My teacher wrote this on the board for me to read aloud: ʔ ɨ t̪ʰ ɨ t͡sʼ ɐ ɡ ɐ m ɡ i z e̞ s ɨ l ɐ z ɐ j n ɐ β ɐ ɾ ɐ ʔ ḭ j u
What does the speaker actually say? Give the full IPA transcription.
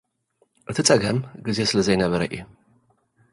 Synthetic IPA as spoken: ʔ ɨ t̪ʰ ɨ t͡sʼ ɐ ɡ ɐ m ɡ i z e̞ s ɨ l ɐ z ɐ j n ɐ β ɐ ɾ ɐ ʔ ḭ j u

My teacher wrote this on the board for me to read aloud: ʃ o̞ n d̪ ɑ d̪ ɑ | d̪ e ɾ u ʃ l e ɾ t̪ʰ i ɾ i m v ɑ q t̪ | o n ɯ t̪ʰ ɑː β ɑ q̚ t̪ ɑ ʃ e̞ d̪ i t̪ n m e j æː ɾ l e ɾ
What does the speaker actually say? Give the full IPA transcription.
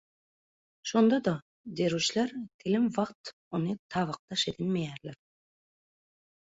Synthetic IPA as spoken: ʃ o̞ n d̪ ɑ d̪ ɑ | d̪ e ɾ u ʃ l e ɾ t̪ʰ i l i m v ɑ q t̪ | o n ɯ t̪ʰ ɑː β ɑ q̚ t̪ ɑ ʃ e̞ d̪ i n m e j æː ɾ l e ɾ

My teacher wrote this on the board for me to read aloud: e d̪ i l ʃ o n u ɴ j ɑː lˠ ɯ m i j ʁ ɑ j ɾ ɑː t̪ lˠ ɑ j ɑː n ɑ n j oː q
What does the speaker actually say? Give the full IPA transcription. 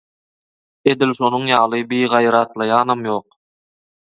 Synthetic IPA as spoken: e d̪ i l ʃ o n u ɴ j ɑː lˠ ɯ b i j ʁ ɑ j ɾ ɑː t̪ lˠ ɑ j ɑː n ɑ m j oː q

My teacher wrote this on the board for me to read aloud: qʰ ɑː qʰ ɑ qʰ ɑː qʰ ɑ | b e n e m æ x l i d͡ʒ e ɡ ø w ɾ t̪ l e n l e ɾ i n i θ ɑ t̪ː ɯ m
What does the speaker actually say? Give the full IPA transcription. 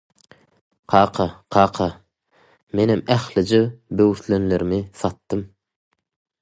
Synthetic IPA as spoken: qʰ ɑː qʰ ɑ qʰ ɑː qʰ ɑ | m e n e m æ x l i d͡ʒ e b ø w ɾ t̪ l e n l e ɾ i m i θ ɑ t̪ː ɯ m

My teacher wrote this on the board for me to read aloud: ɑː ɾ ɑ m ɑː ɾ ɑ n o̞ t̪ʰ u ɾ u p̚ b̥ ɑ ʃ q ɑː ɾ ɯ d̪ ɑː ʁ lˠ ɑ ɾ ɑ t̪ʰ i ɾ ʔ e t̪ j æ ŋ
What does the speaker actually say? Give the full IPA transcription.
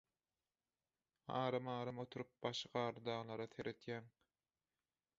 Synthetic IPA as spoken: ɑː ɾ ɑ m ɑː ɾ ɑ m o̞ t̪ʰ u ɾ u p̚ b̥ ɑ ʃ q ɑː ɾ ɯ d̪ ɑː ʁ lˠ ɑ ɾ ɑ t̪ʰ e ɾ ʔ e t̪ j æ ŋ

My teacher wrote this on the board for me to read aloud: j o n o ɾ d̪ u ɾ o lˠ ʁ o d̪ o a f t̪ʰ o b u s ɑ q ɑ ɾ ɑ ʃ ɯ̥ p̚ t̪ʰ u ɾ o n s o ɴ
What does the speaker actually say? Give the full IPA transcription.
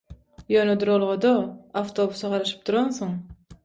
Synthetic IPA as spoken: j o n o d̪ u ɾ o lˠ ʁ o d̪ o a f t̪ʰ o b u s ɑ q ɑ ɾ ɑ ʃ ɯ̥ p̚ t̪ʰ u ɾ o n s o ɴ

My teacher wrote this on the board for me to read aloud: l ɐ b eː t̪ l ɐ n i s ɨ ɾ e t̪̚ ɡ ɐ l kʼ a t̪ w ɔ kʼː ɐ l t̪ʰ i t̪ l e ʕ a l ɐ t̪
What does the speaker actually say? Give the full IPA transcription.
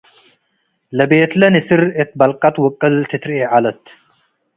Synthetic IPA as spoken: l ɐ b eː t̪ l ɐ n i s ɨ ɾ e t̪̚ b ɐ l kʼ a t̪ w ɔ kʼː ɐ l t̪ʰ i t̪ ɾ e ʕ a l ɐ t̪

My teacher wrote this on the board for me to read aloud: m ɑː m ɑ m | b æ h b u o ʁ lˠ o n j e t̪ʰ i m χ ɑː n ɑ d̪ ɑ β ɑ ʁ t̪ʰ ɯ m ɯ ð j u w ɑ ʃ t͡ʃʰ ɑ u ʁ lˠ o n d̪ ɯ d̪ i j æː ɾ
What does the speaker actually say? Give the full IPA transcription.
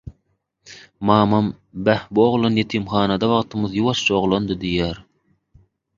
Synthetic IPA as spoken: m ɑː m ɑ m | b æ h b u o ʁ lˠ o n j e t̪ʰ i m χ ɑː n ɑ d̪ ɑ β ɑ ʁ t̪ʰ ɯ m ɯ ð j u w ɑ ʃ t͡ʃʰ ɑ o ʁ lˠ o n d̪ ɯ d̪ i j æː ɾ

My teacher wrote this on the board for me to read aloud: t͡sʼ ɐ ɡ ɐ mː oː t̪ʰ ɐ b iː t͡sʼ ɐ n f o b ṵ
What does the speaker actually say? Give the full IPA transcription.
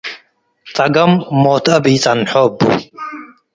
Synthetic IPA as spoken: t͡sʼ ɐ ɡ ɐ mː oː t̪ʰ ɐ b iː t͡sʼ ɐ n ħ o b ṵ

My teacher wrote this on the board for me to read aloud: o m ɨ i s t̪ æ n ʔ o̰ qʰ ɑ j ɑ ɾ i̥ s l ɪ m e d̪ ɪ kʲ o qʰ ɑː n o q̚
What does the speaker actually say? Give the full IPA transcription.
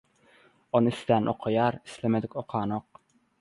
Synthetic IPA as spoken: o n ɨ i s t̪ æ n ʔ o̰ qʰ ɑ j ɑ ɾ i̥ s l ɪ m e d̪ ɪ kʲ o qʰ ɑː n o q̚

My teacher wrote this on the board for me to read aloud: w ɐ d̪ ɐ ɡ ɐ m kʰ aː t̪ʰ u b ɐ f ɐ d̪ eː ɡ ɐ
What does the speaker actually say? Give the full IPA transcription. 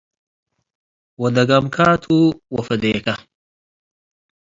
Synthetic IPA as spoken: w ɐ d̪ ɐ ɡ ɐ m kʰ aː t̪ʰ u w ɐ f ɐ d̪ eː k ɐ

